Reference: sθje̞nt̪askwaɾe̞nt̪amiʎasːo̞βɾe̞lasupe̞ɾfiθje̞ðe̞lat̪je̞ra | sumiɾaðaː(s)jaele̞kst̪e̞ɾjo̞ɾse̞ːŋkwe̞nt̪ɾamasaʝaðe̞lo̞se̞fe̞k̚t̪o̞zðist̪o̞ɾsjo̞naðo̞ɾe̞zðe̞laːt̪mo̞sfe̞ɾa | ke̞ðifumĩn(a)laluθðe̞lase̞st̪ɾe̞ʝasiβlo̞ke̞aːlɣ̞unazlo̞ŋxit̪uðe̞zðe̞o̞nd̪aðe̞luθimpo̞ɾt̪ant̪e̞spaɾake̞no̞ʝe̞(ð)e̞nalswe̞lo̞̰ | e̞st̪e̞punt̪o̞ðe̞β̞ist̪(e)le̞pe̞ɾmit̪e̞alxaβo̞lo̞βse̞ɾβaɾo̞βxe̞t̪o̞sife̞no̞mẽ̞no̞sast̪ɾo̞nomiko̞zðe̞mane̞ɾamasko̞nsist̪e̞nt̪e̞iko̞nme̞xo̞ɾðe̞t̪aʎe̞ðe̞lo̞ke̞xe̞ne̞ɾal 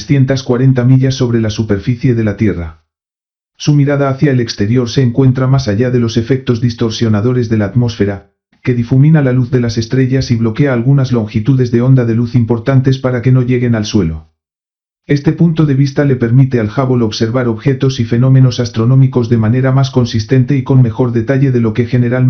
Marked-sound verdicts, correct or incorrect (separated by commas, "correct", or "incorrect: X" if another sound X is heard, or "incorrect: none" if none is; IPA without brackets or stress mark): incorrect: θ, correct, incorrect: ɣ, incorrect: a